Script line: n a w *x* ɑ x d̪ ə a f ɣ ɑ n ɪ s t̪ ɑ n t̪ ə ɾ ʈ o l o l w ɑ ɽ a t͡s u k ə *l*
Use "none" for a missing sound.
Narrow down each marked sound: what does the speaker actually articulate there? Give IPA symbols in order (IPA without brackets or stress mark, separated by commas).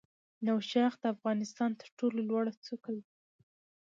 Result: ʃ, l